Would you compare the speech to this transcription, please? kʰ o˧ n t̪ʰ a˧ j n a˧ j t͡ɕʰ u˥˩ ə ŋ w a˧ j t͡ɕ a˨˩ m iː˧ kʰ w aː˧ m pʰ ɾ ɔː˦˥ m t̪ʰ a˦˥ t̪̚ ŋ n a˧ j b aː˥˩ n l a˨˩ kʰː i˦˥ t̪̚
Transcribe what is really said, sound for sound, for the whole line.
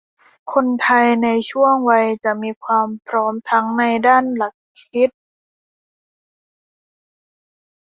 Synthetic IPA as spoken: kʰ o˧ n t̪ʰ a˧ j n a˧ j t͡ɕʰ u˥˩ ə ŋ w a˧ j t͡ɕ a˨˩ m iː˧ kʰ w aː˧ m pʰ ɾ ɔː˦˥ m t̪ʰ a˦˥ ŋ n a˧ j d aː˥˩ n l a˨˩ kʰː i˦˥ t̪̚

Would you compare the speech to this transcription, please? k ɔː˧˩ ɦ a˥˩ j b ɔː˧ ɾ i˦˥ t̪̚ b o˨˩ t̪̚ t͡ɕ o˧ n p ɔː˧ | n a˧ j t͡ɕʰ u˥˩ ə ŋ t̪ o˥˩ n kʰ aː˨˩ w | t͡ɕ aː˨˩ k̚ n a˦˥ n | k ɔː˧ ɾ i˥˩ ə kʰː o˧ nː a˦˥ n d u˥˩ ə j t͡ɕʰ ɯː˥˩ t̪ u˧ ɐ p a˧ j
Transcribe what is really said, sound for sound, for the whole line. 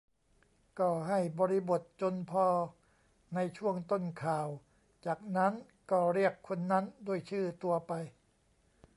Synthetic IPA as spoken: k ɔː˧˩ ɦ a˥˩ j b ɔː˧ ɾ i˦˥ b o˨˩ t̪̚ t͡ɕ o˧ n pʰ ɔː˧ | n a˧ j t͡ɕʰ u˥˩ ə ŋ t̪ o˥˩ n kʰ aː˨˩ w | t͡ɕ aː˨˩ k̚ n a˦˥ n | k ɔː˥˩ ɾ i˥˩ ə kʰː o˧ nː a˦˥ n d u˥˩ ə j t͡ɕʰ ɯː˥˩ t̪ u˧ ɐ p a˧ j

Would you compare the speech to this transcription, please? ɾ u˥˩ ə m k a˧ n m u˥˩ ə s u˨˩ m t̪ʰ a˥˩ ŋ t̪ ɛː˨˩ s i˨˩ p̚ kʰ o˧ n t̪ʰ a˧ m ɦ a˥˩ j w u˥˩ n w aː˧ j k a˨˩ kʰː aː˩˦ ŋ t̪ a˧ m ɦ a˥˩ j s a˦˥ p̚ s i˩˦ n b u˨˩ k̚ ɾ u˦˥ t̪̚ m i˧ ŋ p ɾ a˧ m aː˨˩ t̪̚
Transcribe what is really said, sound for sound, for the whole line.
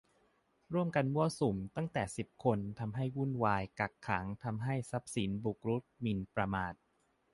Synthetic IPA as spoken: ɾ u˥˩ ə m k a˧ n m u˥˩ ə s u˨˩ m t̪ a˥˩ ŋ t̪ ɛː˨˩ s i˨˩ p̚ kʰ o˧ n t̪ʰ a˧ m ɦ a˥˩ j w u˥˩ n w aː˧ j k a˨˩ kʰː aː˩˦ ŋ t̪ʰ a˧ m ɦ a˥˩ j s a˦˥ p̚ s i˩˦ n b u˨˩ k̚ ɾ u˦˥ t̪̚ m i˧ n p ɾ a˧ m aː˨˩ t̪̚

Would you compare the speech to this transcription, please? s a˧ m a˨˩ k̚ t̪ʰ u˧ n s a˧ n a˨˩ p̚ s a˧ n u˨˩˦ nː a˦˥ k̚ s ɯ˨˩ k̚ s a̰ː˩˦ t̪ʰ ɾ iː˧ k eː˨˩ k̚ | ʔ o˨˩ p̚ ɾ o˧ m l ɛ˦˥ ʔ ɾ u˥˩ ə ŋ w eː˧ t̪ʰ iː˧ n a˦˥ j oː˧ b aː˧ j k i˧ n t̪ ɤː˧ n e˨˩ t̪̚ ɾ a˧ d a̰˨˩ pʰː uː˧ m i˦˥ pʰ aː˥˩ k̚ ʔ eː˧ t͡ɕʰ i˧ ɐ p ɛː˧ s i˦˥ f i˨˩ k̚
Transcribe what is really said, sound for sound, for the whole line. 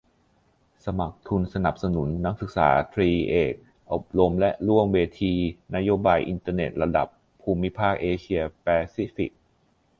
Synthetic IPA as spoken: s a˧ m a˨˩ k̚ t̪ʰ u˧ n s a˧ n a˨˩ p̚ s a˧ n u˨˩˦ nː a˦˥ k̚ s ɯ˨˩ k̚ s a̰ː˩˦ t̪ʰ ɾ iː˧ ʔ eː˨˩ k̚ | ʔ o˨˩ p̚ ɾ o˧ m l ɛ˦˥ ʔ ɾ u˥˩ ə ŋ w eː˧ t̪ʰ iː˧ n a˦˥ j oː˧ b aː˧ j ʔ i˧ n t̪ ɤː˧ n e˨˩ t̪̚ ɾ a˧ d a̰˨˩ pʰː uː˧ m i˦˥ pʰ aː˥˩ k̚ ʔ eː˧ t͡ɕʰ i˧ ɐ p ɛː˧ s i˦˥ f i˨˩ k̚

